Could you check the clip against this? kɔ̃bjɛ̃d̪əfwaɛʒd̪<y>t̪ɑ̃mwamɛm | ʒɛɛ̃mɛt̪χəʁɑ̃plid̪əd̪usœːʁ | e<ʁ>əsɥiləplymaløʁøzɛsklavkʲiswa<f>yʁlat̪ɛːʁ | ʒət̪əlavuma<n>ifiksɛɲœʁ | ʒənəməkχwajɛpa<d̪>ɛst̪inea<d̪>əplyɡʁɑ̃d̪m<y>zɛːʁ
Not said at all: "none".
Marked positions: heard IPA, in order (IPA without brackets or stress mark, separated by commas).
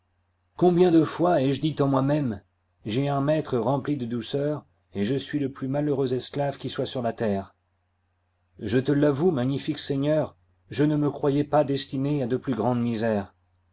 i, ʒ, s, ɲ, d̪, d̪, i